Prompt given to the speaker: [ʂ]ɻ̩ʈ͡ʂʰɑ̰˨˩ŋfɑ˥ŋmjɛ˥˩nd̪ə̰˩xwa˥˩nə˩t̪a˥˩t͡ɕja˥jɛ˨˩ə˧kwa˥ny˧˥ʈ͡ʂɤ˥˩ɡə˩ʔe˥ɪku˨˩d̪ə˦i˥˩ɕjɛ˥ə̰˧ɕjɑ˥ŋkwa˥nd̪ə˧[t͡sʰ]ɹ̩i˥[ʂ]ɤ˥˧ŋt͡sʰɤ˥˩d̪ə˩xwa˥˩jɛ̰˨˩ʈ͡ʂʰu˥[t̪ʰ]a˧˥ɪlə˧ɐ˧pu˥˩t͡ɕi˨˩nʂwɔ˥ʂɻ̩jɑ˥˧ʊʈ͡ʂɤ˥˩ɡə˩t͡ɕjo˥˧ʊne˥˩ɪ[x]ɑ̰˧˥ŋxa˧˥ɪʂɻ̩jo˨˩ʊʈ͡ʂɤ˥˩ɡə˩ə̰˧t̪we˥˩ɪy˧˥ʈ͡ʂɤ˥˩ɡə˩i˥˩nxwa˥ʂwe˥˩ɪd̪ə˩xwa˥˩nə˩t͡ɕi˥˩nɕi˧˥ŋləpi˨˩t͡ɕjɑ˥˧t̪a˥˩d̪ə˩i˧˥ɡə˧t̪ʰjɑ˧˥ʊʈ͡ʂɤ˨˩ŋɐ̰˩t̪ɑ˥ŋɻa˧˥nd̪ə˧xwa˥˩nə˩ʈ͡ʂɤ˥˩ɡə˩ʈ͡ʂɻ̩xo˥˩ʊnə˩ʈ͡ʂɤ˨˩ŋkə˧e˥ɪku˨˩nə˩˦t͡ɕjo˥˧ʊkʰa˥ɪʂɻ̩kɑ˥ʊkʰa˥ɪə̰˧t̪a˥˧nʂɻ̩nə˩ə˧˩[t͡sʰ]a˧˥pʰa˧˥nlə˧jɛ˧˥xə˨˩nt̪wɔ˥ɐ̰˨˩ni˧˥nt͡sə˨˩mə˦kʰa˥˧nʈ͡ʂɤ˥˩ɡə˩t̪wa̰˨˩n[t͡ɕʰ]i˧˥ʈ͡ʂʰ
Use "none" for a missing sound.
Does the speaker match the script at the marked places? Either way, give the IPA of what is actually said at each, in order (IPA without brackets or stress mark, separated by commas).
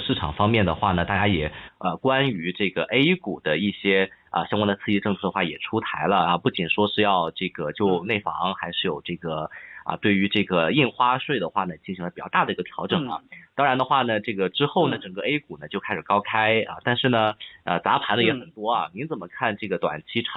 ʂ, t͡sʰ, ʈ͡ʂ, t̪ʰ, f, t͡s, t͡ɕʰ